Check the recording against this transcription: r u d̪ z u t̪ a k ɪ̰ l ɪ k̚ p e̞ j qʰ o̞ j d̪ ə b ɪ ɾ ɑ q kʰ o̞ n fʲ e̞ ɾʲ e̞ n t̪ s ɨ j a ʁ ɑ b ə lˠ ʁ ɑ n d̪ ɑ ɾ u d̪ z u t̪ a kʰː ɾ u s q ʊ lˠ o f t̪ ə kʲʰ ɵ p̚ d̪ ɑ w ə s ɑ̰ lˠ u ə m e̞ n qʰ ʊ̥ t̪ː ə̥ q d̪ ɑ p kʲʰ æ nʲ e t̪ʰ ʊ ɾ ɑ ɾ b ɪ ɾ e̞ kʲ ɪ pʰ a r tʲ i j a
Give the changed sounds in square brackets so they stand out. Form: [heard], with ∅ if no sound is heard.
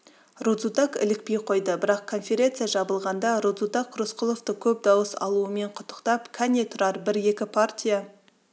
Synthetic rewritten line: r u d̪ z u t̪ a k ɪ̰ l ɪ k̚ p e̞ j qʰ o̞ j d̪ ə b ɪ ɾ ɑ q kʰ o̞ n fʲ e̞ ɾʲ e̞ n t̪ s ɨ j a [ʒ] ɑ b ə lˠ ʁ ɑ n d̪ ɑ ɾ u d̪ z u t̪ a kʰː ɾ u s q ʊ lˠ o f t̪ ə kʲʰ ɵ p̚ d̪ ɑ w ə s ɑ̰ lˠ u ə m e̞ [ɴ] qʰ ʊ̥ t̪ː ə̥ q [t̪] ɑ p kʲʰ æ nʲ e t̪ʰ ʊ ɾ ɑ ɾ b ɪ ɾ e̞ kʲ ɪ pʰ a r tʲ i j a